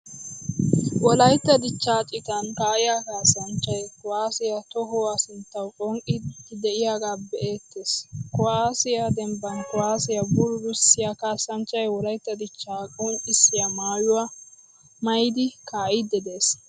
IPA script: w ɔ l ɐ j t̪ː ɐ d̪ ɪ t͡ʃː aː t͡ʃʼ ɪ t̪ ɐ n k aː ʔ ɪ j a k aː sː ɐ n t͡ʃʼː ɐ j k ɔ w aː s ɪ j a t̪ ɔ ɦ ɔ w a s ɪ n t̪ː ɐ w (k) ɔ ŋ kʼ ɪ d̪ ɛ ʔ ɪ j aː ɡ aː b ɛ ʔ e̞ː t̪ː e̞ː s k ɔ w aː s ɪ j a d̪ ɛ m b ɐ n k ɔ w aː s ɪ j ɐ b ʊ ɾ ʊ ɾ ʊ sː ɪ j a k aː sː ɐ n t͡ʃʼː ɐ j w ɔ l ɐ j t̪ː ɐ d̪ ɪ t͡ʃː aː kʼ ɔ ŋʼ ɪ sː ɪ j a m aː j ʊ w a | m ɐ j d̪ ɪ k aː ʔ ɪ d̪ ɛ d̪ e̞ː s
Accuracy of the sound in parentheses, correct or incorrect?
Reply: incorrect